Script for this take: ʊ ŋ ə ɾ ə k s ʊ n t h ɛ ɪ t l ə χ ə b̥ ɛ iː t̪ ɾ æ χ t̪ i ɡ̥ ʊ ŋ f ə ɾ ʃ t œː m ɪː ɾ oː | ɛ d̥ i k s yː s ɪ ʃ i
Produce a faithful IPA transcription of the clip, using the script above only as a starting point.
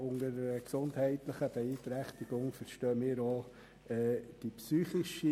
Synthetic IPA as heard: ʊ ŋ ə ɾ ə k s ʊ n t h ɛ ɪ t l ə χ ə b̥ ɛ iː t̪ ɾ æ χ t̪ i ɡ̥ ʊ ŋ f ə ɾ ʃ t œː m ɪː ɾ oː | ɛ d̥ i p s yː χ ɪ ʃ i

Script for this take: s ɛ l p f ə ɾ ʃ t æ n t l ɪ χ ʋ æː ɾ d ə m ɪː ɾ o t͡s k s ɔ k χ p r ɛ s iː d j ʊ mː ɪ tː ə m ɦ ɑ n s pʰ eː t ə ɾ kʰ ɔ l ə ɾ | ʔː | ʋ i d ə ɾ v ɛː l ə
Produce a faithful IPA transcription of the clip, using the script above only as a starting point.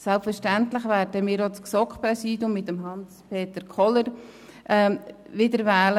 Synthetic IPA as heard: s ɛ l p f ə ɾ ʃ t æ n t l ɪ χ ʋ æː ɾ d ə m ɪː ɾ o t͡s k s ɔ k χ p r ɛ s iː d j ʊ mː ɪ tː ə m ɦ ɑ n s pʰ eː t ə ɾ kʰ ɔ l ə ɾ | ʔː | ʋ ɪ d ə ɾ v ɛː l ə

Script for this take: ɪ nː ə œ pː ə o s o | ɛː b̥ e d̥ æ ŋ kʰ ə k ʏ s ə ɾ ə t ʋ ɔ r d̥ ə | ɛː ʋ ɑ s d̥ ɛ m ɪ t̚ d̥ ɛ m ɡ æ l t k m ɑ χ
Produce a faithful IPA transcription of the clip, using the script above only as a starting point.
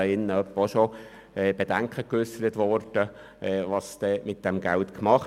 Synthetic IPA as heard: ɪ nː ə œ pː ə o ʃ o | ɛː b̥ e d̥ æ ŋ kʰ ə k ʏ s ə ɾ ə t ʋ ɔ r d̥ ə | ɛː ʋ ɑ s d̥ ɛ m ɪ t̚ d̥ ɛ m ɡ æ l t k m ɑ χ

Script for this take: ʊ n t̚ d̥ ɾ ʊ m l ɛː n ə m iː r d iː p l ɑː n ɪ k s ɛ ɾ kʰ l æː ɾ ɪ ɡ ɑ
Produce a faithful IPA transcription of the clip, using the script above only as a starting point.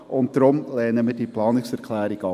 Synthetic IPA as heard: ʊ n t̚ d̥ ɾ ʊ m l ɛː n ə m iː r d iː p l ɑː n ɪ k s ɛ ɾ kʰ l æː ɾ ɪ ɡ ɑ

